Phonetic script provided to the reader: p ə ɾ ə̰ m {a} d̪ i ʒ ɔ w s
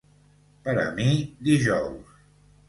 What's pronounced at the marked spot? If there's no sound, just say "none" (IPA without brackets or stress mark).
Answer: i